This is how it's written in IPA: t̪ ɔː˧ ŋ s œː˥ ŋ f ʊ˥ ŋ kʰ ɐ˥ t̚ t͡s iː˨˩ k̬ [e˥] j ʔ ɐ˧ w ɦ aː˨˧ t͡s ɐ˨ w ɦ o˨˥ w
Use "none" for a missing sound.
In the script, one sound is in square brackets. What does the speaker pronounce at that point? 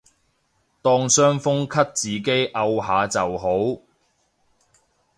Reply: e˥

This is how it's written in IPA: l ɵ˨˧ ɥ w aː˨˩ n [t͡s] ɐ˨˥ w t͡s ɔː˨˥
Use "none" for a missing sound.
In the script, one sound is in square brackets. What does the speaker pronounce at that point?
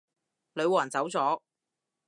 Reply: t͡s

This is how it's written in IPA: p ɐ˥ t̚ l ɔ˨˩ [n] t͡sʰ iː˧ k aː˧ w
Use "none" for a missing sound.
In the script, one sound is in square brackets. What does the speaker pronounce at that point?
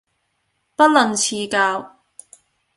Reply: n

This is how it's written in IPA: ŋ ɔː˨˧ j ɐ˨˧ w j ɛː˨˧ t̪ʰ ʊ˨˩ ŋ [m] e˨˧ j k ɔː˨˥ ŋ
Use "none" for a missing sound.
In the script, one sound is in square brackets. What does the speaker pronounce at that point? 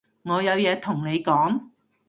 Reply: n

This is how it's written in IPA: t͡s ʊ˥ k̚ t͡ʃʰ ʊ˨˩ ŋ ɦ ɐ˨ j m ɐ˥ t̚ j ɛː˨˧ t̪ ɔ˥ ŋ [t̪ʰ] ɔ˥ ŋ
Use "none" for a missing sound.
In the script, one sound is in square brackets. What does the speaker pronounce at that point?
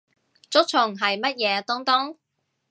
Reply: t̪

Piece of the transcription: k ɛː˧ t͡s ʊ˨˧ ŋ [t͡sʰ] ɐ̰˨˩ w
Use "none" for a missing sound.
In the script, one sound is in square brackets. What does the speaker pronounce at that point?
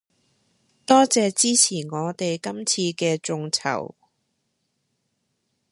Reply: t͡sʰ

